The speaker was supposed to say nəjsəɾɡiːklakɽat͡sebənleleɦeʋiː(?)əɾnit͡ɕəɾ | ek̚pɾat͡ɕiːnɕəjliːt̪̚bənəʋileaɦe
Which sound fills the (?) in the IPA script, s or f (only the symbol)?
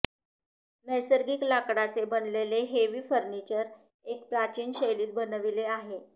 f